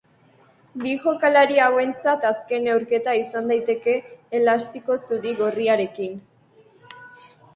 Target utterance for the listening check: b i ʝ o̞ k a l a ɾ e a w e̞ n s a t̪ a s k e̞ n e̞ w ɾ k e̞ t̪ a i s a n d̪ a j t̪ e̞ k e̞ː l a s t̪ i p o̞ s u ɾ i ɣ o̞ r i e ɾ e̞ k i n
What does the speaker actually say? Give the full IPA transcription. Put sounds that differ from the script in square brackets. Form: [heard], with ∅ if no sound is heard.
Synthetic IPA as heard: b i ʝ o̞ k a l a ɾ [i] a w e̞ n [t͡s] a t̪ a s k e̞ n e̞ w ɾ k e̞ t̪ a i s a n d̪ a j t̪ e̞ k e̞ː l a s t̪ i [k] o̞ s u ɾ i ɣ o̞ r i [a] ɾ e̞ k i n